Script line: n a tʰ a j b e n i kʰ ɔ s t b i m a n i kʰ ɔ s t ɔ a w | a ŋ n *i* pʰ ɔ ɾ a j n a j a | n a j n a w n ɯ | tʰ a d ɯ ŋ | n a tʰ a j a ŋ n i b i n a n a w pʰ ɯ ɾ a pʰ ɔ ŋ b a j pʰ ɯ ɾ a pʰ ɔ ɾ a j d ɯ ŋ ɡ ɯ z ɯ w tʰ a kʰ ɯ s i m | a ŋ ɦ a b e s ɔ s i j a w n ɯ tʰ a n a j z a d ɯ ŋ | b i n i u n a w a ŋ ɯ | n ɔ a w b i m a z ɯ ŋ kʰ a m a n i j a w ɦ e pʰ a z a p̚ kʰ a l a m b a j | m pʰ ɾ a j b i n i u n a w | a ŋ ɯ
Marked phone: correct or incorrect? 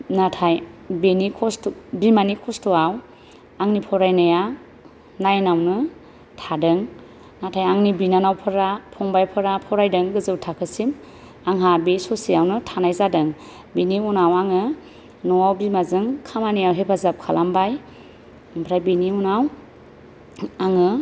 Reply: correct